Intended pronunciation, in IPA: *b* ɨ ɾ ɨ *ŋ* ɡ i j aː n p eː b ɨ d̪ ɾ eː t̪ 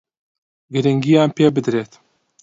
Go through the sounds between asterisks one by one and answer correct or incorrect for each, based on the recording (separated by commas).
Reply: incorrect, correct